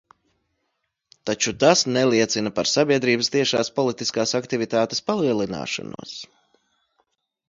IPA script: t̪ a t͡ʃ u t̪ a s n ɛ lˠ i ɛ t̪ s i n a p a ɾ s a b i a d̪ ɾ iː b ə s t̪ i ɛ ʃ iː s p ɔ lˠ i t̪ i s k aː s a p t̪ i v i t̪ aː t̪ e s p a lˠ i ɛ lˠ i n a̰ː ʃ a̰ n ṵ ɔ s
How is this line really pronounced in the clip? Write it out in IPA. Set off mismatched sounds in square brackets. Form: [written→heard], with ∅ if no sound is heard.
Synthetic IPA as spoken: t̪ a t͡ʃ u t̪ a s n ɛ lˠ i ɛ t̪ s i n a p a ɾ s a b i [a→ɛ] d̪ ɾ iː b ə s t̪ i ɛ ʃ [iː→aː] s p ɔ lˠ i t̪ i s k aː s a [p→k] t̪ i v i t̪ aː t̪ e s p a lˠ i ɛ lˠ i n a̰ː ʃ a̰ n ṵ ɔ s